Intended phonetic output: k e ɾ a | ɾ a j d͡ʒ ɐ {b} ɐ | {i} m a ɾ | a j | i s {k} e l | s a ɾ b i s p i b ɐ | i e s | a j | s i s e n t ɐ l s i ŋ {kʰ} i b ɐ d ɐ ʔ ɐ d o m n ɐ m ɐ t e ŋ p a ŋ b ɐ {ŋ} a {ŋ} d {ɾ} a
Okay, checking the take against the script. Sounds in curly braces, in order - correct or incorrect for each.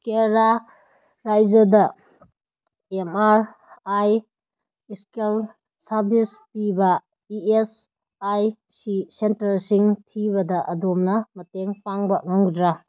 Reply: incorrect: d, incorrect: e, correct, incorrect: tʰ, correct, correct, correct

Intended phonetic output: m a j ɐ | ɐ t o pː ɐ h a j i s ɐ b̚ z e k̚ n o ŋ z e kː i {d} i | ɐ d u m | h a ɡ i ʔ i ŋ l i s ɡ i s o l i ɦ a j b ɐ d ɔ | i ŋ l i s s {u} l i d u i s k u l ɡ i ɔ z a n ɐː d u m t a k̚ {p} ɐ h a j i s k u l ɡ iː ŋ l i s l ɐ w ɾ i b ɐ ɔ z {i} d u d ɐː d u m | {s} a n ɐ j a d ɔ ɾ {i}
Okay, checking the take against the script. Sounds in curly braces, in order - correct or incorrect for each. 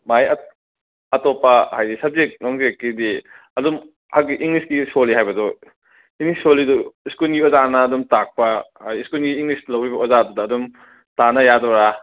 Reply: correct, incorrect: o, correct, incorrect: a, incorrect: t, incorrect: a

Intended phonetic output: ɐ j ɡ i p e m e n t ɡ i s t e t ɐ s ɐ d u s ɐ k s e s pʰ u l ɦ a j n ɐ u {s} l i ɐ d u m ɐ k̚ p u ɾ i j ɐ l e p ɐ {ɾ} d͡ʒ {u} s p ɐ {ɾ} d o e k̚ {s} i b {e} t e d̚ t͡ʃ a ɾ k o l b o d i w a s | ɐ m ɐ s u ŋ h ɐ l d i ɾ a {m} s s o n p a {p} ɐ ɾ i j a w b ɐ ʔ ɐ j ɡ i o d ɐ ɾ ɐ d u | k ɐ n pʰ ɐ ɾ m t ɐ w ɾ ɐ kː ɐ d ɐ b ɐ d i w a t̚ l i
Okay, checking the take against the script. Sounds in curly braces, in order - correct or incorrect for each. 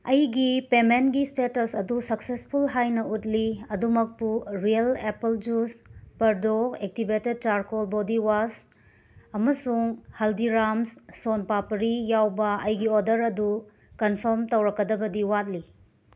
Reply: incorrect: t, incorrect: l, correct, correct, incorrect: t, correct, correct, correct

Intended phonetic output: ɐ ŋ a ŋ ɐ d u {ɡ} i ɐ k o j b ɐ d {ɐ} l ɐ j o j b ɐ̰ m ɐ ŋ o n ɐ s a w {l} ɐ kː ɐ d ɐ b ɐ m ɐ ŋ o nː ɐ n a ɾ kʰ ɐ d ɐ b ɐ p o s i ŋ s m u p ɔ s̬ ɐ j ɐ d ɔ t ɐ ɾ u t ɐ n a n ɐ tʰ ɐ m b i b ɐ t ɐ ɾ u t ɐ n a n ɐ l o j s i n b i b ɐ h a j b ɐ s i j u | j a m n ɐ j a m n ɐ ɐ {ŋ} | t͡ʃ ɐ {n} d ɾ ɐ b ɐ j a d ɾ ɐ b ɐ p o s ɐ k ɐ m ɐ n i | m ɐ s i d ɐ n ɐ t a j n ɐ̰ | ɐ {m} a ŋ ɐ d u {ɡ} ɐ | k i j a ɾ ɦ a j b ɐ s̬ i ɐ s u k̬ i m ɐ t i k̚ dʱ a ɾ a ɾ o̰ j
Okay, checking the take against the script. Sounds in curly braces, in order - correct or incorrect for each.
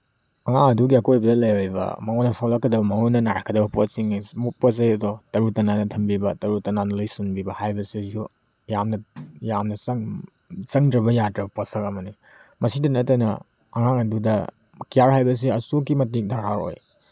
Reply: correct, correct, correct, correct, incorrect: ŋ, incorrect: ŋ, incorrect: d

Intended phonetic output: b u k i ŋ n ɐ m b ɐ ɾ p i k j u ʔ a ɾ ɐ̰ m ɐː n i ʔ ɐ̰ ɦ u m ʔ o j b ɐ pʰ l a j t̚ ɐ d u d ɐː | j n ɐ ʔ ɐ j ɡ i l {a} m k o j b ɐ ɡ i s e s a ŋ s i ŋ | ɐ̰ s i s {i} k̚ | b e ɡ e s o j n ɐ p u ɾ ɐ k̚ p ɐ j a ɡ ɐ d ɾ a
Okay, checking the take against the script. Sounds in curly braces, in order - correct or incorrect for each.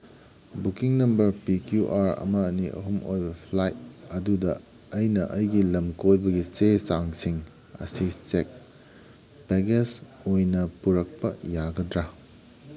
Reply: incorrect: ɐ, incorrect: e

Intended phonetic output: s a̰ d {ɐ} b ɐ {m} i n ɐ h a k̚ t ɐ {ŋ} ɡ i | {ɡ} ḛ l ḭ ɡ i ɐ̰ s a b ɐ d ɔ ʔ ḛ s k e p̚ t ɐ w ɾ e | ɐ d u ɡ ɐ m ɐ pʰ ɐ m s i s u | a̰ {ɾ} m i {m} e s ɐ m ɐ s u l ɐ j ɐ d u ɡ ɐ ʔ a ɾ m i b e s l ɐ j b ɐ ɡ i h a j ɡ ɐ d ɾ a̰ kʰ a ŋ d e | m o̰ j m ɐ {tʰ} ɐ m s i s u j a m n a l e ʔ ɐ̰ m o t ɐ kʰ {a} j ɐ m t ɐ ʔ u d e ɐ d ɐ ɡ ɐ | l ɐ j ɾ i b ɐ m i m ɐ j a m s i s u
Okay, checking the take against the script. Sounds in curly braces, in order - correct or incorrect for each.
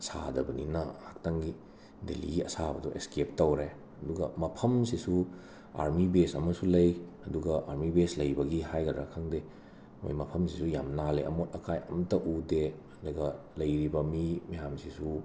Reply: correct, incorrect: n, correct, incorrect: d, correct, incorrect: b, incorrect: pʰ, correct

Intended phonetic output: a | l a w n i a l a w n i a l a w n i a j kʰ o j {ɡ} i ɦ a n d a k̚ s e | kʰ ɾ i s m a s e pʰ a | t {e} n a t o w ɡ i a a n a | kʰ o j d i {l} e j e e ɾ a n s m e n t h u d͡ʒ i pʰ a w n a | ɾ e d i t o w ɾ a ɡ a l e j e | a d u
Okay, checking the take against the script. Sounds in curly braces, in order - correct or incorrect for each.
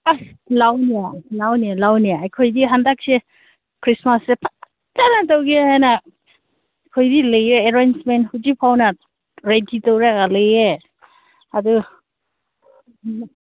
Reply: incorrect: d, incorrect: a, correct

